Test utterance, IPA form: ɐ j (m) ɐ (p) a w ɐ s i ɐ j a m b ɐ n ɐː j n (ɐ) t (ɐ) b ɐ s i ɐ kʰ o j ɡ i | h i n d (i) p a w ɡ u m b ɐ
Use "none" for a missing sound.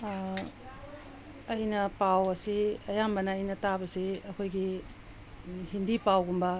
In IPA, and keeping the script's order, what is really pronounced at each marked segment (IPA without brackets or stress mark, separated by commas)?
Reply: n, p, ɐ, a, i